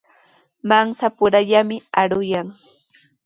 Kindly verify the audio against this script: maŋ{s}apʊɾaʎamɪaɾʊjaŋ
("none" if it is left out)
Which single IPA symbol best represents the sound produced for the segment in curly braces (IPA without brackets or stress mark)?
s